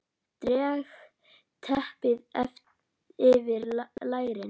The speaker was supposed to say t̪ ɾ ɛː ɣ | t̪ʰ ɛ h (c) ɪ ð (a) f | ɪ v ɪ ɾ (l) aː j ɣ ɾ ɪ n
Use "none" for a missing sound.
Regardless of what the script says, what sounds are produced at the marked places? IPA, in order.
p, ɛ, l

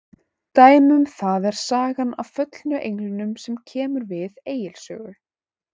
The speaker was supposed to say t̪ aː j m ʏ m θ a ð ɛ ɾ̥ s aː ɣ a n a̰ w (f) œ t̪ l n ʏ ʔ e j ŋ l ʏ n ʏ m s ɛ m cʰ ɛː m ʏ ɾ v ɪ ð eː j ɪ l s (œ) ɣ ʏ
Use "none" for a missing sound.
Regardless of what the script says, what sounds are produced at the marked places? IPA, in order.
f, œː

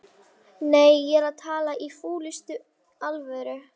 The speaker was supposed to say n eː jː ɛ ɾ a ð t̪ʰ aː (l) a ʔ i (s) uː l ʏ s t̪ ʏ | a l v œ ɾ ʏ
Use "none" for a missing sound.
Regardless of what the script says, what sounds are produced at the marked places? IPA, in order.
l, f

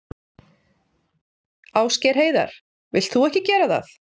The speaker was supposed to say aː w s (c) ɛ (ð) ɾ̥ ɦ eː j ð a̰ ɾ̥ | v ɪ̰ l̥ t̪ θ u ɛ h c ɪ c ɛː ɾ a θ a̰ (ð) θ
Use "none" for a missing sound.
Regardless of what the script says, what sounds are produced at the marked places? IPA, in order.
c, none, none

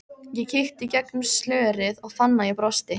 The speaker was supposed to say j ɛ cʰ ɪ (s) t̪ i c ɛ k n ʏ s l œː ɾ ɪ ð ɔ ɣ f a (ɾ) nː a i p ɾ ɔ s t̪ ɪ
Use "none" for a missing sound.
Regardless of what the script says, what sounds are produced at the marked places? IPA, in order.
x, none

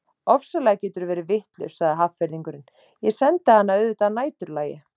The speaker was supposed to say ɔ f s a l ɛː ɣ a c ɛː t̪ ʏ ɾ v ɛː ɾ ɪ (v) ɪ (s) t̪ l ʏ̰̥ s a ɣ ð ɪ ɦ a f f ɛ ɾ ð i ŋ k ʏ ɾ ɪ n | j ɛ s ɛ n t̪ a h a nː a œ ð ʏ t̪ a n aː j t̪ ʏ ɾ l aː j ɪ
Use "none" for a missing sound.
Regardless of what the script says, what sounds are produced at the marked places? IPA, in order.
v, h

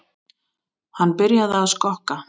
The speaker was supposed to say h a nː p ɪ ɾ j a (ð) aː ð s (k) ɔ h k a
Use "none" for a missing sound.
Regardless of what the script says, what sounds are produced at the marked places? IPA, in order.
ð, k

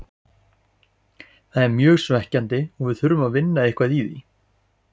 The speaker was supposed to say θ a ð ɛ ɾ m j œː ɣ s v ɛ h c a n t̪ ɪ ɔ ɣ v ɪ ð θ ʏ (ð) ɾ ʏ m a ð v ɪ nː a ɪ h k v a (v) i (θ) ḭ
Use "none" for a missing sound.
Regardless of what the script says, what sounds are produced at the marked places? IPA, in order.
none, ð, ð

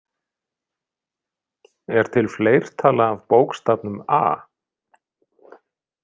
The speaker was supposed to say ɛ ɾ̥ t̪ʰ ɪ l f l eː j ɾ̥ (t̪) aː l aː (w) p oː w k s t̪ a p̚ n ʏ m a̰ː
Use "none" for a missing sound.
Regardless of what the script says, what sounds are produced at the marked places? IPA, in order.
t̪ʰ, v

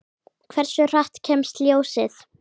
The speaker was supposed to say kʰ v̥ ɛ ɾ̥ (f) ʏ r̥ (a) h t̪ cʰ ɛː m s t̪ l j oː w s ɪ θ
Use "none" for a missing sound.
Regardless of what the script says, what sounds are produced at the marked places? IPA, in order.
s, a

